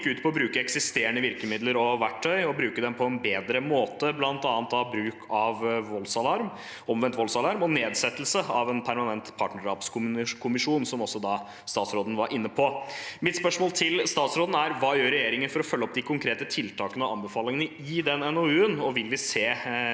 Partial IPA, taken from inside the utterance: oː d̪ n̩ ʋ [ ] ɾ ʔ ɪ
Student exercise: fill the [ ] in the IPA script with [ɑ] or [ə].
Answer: ɑ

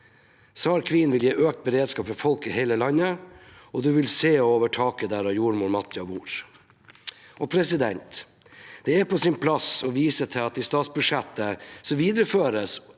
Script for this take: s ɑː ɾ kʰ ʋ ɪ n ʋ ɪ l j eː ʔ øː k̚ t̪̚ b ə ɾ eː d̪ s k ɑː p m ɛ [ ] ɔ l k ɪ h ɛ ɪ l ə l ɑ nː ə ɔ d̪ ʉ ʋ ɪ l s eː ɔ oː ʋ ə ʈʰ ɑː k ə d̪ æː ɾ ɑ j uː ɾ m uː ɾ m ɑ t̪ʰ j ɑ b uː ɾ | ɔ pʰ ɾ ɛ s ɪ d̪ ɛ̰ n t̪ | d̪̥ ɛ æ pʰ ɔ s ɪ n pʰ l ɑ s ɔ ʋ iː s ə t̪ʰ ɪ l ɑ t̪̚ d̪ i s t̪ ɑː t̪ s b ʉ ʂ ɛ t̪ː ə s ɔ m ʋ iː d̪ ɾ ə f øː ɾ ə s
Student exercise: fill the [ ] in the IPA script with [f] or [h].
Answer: f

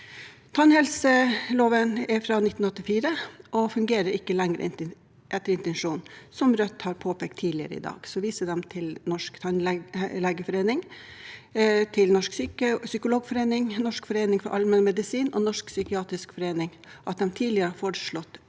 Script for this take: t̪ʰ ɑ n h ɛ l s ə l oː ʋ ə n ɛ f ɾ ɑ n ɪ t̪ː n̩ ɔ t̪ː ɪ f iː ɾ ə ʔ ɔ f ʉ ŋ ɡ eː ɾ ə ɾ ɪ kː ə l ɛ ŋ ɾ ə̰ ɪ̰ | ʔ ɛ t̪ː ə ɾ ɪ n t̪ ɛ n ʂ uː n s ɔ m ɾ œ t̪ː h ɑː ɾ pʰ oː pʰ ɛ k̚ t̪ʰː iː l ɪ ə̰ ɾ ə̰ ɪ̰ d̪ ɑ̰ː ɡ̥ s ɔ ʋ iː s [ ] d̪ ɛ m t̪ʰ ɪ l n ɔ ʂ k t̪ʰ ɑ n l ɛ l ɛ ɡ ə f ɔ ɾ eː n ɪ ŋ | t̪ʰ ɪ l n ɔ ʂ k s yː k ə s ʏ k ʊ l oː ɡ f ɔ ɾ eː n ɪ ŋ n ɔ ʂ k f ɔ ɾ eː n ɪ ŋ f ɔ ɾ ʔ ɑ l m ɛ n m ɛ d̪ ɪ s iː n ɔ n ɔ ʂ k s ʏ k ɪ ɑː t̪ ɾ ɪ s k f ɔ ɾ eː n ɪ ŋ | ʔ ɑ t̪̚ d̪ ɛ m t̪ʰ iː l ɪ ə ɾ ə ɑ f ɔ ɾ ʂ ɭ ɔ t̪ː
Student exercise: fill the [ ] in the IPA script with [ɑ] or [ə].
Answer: ə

